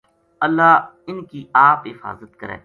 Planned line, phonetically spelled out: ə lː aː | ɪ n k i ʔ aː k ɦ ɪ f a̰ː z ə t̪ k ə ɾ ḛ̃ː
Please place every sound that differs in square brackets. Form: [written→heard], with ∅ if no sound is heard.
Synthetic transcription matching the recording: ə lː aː | ɪ n k i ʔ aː [k→p] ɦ ɪ f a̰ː z ə t̪ k ə ɾ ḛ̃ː